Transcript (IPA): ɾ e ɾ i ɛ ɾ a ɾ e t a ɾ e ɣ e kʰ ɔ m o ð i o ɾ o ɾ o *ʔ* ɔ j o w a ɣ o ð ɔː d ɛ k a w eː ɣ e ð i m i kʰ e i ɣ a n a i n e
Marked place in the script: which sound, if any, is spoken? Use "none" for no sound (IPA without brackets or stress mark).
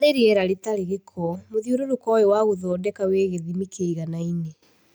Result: k